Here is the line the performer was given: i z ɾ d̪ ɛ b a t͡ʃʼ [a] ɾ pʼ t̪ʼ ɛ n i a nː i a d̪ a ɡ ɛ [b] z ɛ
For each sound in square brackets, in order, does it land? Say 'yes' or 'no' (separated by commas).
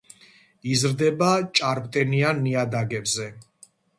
yes, yes